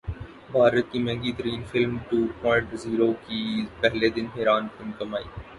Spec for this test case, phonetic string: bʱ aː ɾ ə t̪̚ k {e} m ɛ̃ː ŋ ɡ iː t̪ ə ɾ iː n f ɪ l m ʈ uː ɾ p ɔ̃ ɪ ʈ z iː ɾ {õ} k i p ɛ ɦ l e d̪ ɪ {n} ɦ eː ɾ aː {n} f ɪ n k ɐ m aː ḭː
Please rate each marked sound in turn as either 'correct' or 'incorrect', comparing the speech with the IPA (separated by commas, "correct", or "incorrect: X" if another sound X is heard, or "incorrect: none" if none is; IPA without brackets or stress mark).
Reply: incorrect: i, incorrect: o, correct, correct